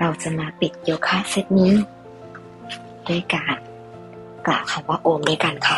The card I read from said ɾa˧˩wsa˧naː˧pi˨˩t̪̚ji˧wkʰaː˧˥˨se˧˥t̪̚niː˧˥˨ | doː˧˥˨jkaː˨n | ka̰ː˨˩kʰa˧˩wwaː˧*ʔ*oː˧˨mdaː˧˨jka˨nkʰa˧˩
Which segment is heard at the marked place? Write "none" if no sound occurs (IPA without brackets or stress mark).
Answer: ʔ